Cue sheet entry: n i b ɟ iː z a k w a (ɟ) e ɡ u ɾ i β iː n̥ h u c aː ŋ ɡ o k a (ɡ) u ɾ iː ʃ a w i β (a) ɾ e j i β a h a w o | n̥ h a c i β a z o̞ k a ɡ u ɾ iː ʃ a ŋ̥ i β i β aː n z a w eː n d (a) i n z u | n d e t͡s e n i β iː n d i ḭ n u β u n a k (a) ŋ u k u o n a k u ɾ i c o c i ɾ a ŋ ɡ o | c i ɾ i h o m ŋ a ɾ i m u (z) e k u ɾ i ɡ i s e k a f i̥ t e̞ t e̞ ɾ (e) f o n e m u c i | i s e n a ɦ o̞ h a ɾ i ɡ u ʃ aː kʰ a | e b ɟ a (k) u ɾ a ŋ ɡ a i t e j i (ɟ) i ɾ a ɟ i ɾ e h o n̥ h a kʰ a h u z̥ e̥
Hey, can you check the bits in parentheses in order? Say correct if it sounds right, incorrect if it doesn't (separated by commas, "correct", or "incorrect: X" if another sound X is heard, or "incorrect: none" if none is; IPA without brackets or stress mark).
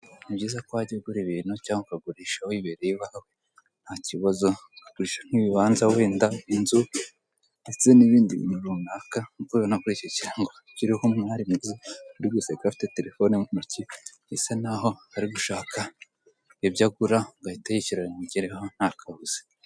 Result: correct, correct, incorrect: e, correct, correct, correct, correct, incorrect: ɡ, incorrect: c